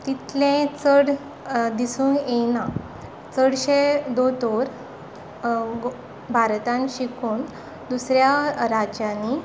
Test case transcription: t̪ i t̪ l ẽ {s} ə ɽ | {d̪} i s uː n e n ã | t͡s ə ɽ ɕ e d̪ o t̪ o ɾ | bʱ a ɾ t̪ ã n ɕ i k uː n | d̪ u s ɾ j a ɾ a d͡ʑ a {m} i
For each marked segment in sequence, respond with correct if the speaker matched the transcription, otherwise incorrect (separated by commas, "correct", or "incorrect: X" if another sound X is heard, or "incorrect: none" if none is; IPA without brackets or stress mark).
incorrect: t͡s, correct, incorrect: n